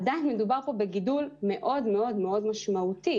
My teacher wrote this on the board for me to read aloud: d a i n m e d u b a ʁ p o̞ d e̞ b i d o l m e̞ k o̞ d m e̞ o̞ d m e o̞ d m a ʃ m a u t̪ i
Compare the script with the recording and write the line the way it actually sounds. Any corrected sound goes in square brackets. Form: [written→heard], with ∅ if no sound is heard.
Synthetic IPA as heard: d a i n m e d u b a ʁ p o̞ [d→b] e̞ [b→ɡ] i d [o→u] l m e̞ [k→ʔ] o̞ d m e̞ o̞ d m e o̞ d m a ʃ m a u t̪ i

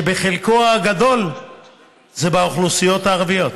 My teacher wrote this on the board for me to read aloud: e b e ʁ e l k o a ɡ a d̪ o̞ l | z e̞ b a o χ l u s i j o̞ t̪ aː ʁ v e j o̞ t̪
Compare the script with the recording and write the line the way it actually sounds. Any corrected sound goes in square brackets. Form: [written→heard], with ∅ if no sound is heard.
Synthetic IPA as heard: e b e [ʁ→χ] e l k o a ɡ a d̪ o̞ l | z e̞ b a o χ l u s i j o̞ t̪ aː ʁ v [e→i] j o̞ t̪

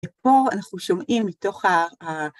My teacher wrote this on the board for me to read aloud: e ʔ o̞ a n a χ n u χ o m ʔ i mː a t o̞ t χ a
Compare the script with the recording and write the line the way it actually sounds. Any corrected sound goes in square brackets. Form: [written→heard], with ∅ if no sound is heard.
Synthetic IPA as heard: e [ʔ→p] o̞ a n a χ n u [χ→ʃ] o m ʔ i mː [a→i] t o̞ [t→∅] χ a

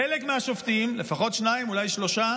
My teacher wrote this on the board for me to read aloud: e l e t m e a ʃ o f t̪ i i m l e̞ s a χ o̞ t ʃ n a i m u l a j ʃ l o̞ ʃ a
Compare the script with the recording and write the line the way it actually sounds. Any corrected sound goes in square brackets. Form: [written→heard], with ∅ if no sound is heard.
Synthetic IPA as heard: e l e [t→k] m e a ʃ o f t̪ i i m l e̞ [s→f] a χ o̞ t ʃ n a i m u l a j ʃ l o̞ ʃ a

